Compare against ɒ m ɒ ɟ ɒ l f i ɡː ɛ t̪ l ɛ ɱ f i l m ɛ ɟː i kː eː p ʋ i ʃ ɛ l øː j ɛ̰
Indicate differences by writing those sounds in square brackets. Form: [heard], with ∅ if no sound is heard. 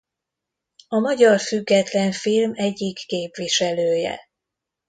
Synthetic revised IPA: ɒ m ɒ ɟ ɒ [r] f [y] ɡː ɛ t̪ l ɛ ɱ f i l m ɛ ɟː i kː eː p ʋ i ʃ ɛ l øː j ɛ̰